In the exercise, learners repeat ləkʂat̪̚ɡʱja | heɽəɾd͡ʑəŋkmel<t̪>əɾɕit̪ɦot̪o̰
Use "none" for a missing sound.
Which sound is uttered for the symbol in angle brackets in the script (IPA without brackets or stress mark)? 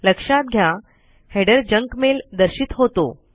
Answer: d̪